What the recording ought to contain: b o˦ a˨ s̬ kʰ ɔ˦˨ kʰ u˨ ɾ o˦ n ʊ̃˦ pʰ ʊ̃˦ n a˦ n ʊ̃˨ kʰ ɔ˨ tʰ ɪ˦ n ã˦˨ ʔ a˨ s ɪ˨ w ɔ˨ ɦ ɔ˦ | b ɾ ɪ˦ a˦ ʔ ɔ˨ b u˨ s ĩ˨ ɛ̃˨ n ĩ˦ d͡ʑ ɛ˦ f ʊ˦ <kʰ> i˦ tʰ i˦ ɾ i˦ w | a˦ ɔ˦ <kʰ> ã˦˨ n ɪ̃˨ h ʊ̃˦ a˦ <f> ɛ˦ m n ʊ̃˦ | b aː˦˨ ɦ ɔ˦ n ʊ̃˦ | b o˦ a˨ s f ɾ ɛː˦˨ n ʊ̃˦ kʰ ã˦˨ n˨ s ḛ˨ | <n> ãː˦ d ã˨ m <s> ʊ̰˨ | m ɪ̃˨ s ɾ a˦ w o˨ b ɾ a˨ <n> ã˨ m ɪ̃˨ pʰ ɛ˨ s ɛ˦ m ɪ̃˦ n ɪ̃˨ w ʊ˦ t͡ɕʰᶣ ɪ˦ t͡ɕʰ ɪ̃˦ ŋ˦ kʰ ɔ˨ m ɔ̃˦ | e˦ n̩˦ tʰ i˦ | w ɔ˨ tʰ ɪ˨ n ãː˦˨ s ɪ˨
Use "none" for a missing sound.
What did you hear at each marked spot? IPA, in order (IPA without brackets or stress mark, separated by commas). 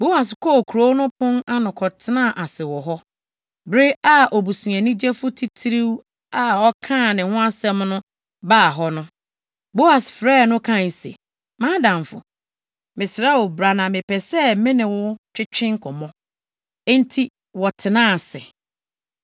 tʰ, kʰ, s, m, f, n